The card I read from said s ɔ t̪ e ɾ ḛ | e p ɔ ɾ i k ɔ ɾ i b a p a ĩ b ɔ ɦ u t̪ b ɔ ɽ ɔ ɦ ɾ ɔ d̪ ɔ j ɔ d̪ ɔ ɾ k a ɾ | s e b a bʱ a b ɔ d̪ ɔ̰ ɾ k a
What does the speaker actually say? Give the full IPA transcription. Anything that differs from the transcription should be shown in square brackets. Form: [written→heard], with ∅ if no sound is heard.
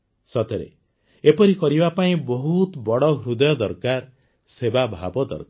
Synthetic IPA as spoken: s ɔ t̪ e ɾ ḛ | e p ɔ ɾ i k ɔ ɾ i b a p a ĩ b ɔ ɦ u t̪ b ɔ ɽ ɔ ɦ ɾ [ɔ→u] d̪ ɔ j ɔ d̪ ɔ ɾ k a ɾ | s e b a bʱ a b ɔ d̪ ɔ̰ ɾ k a